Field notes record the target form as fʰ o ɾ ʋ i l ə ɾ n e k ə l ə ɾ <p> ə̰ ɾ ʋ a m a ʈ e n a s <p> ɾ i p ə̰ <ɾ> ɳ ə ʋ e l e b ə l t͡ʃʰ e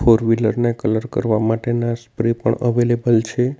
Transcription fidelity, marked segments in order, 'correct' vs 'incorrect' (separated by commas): incorrect, correct, incorrect